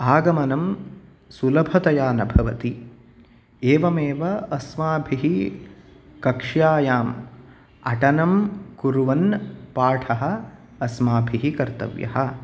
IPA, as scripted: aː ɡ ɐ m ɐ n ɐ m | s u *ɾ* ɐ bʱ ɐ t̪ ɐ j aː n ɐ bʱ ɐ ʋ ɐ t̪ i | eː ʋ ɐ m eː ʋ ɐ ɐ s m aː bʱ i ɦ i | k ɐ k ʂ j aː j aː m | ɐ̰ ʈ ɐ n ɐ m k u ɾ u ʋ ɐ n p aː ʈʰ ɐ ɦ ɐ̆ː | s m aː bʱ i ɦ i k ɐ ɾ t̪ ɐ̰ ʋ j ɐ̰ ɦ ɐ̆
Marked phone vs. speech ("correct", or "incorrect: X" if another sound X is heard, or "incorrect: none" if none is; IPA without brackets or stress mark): incorrect: l